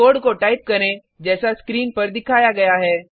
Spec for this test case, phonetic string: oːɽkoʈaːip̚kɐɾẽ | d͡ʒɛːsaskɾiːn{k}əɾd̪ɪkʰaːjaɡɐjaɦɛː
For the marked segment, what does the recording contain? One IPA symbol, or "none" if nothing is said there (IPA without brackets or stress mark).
p